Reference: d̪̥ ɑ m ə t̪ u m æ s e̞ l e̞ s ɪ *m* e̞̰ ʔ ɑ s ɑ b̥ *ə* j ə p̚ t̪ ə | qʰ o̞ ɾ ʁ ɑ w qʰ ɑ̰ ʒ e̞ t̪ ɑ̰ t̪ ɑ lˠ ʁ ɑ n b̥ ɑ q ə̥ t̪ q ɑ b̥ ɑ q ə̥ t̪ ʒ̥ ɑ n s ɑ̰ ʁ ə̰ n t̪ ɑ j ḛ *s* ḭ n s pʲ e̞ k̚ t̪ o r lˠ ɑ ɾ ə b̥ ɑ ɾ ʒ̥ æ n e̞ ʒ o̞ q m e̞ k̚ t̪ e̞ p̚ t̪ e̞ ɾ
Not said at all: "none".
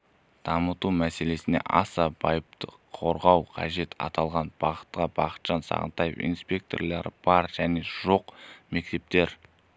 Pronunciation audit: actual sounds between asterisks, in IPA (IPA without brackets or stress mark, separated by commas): n, ɑ, f